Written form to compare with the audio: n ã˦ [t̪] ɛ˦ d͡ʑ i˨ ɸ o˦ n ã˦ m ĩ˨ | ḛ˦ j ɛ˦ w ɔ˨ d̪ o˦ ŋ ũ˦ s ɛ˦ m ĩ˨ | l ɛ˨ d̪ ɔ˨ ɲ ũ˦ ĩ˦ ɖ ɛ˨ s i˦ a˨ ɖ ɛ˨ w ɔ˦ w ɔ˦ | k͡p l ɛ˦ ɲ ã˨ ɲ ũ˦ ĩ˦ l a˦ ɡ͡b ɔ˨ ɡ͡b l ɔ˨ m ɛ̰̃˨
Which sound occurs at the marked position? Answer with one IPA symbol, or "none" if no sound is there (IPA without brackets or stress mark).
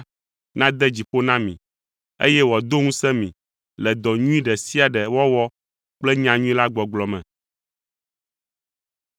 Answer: d̪